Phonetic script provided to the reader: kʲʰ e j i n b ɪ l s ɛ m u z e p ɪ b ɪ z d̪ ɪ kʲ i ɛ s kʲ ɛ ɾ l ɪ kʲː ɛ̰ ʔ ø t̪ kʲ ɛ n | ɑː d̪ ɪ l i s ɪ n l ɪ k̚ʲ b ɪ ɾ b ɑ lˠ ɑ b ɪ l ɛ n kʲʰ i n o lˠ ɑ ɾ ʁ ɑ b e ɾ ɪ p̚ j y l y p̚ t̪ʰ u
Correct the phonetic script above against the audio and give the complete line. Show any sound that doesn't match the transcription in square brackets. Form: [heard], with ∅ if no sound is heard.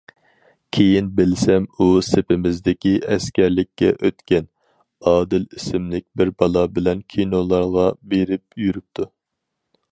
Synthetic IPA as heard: kʲʰ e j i n b ɪ l s ɛ m u [s] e p ɪ [m] ɪ z d̪ ɪ kʲ i ɛ s kʲ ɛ ɾ l ɪ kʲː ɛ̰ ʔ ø t̪ kʲ ɛ n | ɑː d̪ ɪ l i s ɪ [m] l ɪ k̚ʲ b ɪ ɾ b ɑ lˠ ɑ b ɪ l ɛ n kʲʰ i n o lˠ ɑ ɾ ʁ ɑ b e ɾ ɪ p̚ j y [ɾ] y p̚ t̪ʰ u